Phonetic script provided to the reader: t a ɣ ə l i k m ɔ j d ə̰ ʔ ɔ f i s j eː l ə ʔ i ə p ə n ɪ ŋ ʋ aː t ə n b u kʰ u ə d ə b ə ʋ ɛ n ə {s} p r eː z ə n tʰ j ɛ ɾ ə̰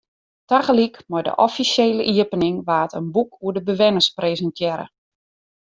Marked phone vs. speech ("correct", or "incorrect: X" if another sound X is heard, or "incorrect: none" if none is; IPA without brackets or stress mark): correct